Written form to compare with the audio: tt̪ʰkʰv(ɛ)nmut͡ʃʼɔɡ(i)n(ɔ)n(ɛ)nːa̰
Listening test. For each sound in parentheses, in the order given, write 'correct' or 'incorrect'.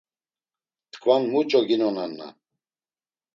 incorrect, correct, correct, incorrect

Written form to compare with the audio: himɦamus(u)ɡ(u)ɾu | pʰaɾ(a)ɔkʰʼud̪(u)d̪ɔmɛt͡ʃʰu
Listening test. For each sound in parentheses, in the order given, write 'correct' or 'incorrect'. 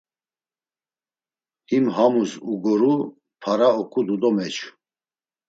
correct, incorrect, correct, correct

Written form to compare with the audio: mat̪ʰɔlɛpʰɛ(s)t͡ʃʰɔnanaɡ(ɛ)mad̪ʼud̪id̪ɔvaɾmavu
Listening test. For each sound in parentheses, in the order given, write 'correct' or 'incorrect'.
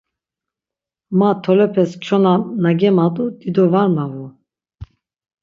correct, correct

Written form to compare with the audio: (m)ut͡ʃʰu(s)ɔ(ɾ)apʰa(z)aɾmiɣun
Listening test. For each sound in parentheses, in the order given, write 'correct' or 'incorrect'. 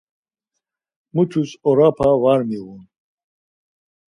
correct, correct, correct, incorrect

